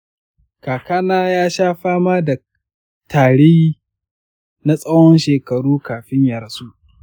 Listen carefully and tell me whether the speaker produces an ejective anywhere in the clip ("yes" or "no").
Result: yes